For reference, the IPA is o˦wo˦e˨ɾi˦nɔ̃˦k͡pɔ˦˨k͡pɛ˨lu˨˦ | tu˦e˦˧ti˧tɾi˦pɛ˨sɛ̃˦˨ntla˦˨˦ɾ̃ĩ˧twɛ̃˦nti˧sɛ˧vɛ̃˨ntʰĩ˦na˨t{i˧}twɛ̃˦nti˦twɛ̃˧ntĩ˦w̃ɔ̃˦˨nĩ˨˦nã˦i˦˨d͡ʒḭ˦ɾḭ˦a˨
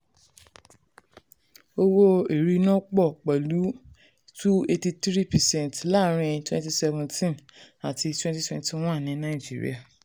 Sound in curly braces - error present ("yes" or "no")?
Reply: no